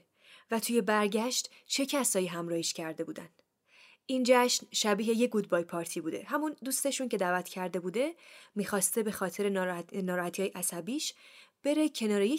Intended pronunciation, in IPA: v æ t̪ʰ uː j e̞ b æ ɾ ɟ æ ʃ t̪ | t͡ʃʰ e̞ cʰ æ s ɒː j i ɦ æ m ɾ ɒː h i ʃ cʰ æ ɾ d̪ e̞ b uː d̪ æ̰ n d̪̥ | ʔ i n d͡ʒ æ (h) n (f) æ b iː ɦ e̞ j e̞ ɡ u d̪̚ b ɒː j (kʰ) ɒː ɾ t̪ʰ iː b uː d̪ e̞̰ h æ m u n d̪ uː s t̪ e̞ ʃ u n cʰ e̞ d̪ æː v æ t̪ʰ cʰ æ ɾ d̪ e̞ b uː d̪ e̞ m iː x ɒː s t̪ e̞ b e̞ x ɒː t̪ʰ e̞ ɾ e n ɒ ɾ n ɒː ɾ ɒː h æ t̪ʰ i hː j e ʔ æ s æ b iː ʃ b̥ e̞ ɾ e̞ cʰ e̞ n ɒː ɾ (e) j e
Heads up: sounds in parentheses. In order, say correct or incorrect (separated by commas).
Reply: incorrect, incorrect, incorrect, correct